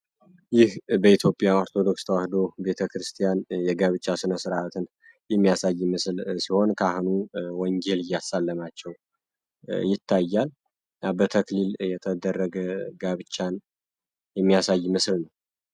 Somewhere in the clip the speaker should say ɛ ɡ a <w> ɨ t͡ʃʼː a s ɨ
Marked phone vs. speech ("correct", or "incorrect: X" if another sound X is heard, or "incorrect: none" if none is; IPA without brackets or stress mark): incorrect: β